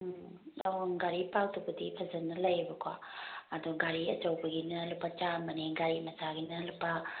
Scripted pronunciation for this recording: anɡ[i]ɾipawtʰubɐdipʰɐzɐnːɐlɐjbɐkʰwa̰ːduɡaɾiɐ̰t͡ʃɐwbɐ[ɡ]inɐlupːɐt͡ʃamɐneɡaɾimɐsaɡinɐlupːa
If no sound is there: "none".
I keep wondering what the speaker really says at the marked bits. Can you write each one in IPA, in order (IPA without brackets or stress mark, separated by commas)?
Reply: a, ɡ